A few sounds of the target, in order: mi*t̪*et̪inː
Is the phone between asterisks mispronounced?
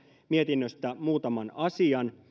yes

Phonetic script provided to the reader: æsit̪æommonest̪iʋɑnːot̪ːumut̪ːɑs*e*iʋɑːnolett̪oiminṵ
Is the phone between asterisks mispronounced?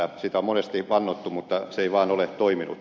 no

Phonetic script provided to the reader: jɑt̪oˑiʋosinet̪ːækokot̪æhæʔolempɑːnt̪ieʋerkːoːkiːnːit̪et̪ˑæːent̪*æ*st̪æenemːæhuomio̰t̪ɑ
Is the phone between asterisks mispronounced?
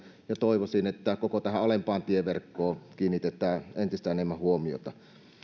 yes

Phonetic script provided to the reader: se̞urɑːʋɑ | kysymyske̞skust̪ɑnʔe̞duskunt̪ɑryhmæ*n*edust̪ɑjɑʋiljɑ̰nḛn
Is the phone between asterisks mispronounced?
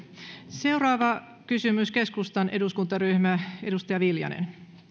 yes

